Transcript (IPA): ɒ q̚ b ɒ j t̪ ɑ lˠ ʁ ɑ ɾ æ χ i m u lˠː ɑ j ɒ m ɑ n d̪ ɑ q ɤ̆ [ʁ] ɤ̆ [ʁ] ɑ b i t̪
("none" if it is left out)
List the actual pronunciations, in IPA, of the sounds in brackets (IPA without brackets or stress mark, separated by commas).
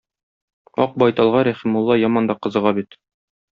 z, ʁ